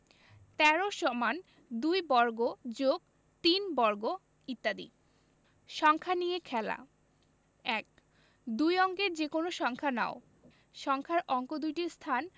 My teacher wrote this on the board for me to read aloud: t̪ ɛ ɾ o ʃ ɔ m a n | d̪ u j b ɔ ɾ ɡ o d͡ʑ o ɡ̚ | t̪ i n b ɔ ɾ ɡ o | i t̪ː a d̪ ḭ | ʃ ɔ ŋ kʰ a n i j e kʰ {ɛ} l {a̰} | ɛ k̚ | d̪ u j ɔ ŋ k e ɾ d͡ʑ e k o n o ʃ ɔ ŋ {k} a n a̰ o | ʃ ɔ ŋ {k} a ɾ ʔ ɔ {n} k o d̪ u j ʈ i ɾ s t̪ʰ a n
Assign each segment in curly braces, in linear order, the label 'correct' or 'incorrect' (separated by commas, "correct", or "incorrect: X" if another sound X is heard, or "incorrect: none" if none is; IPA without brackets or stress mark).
correct, correct, incorrect: kʰ, incorrect: kʰ, incorrect: ŋ